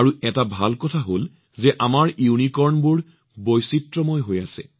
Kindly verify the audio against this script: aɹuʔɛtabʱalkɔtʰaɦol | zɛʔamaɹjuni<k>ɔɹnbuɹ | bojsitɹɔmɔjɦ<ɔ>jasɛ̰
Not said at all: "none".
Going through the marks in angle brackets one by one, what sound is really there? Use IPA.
k, o

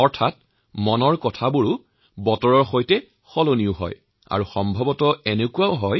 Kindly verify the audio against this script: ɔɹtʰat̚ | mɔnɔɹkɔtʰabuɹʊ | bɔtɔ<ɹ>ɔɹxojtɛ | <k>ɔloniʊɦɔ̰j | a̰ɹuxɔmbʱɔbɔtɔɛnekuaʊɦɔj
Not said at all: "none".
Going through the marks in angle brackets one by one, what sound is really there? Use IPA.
ɹ, x

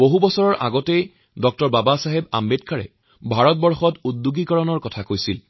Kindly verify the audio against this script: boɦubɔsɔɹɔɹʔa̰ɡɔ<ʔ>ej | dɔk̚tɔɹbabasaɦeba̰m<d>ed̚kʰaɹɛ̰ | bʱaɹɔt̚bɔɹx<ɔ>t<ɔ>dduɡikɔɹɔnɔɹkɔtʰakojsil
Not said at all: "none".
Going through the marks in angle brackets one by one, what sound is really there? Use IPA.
t, b, ɔ, u

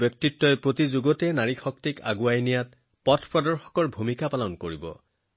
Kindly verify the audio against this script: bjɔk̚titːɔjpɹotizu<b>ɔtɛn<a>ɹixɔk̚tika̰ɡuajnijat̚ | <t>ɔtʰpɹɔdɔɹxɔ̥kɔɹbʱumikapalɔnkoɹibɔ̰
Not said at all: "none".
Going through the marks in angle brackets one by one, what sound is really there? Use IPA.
ɡ, a, p

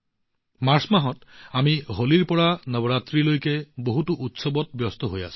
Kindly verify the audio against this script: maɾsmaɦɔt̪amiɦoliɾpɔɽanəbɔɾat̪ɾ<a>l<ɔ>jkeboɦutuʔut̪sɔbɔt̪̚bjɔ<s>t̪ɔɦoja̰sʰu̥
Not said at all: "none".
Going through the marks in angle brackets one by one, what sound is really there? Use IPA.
i, o, s

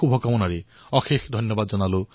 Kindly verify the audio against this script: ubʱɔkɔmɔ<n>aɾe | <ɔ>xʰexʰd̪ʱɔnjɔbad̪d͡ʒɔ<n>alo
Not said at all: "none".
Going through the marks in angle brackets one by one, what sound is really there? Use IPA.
n, ɔ, n

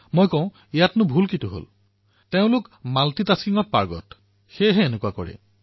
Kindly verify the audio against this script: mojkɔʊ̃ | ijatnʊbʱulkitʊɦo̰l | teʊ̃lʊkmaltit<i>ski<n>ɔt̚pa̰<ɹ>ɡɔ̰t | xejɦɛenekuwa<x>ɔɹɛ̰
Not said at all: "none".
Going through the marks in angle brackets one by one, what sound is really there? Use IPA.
a, ŋ, ɹ, k

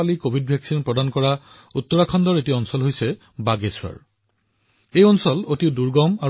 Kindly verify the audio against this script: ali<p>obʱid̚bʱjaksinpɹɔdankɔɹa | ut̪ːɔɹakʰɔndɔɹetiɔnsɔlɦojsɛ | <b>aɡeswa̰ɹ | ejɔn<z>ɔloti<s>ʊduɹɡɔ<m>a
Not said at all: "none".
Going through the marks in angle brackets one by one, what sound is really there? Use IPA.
k, b, s, none, m

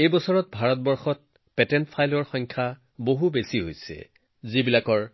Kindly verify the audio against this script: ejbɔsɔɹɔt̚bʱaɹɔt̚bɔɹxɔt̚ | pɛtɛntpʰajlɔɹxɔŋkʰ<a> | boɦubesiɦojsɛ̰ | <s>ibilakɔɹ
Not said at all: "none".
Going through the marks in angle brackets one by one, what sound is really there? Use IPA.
a, z

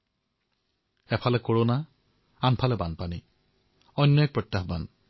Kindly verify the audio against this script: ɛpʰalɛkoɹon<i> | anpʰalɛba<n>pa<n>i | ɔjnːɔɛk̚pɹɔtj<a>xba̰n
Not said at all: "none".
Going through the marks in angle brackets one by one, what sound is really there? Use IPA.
a, n, n, a

